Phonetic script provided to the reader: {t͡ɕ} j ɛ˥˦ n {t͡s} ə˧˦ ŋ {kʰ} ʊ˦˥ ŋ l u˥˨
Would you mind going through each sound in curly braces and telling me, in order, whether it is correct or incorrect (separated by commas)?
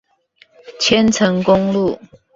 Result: incorrect, incorrect, incorrect